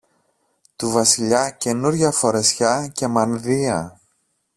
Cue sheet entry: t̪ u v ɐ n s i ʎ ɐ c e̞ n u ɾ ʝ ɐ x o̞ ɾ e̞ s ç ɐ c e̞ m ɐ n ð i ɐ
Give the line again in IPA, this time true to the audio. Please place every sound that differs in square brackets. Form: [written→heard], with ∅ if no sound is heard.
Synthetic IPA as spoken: t̪ u v ɐ [n→∅] s i ʎ ɐ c e̞ n u ɾ ʝ ɐ [x→f] o̞ ɾ e̞ s ç ɐ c e̞ m ɐ n ð i ɐ